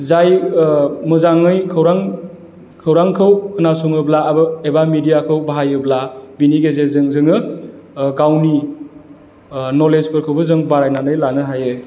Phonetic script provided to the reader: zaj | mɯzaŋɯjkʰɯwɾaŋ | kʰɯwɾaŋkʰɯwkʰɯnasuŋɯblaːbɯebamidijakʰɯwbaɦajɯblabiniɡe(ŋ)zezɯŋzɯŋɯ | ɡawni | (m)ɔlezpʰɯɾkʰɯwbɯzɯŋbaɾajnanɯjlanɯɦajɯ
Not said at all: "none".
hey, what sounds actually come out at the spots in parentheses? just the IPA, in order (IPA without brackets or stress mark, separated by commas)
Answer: none, n